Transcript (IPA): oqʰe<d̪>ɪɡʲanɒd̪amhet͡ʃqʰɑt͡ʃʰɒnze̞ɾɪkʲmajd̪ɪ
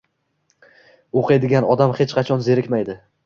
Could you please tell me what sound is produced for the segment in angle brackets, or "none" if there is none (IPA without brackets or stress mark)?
d̪